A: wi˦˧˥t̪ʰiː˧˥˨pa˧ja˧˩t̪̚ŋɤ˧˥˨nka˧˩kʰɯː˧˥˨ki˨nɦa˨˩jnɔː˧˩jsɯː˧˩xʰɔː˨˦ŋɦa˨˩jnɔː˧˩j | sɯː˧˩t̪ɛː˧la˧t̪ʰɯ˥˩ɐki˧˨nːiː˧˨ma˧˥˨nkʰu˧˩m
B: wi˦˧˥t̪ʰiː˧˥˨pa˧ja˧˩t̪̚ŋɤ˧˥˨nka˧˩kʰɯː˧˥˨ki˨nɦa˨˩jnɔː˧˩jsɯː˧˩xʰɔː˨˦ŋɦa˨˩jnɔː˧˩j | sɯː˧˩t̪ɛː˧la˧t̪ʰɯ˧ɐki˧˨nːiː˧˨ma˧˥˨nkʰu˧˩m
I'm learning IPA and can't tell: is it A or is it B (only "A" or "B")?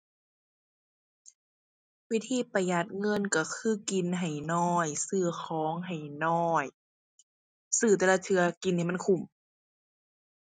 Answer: B